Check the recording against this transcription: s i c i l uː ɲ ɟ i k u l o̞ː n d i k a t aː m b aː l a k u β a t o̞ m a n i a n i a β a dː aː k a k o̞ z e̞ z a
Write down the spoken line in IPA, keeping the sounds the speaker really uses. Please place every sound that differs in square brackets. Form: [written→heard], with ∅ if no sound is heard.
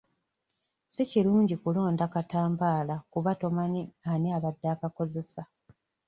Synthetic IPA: s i c i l uː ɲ ɟ i k u l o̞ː n d [i→a] k a t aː m b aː l a k u β a t o̞ m a n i a n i a β a dː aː k a k o̞ z e̞ [z→s] a